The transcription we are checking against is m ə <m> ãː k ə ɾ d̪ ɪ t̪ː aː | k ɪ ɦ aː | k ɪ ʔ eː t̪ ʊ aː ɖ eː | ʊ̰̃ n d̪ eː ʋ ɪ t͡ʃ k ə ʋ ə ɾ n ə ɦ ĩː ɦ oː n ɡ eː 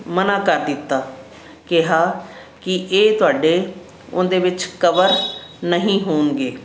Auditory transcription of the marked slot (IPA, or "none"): n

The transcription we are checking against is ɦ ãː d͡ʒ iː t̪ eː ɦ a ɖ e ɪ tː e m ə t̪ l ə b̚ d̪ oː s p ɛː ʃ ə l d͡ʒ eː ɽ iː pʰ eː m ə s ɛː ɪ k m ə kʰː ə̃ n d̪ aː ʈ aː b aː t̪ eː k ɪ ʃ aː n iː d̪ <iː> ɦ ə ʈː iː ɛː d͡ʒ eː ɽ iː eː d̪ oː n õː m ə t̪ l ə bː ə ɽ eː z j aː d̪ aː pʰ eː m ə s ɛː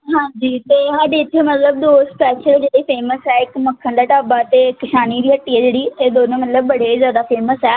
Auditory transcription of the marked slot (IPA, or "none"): iː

